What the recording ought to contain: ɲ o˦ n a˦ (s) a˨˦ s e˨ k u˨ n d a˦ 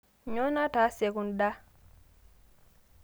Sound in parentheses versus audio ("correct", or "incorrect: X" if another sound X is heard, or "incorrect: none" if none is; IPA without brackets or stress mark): incorrect: t